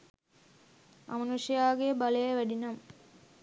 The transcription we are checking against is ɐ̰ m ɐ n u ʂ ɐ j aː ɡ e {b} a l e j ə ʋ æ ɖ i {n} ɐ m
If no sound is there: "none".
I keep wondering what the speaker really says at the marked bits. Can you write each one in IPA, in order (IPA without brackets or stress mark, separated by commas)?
b, n